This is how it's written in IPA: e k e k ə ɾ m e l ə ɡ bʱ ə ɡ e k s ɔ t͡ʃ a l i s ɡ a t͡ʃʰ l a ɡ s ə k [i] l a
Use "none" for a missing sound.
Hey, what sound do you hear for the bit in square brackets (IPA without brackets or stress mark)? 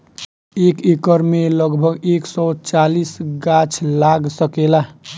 e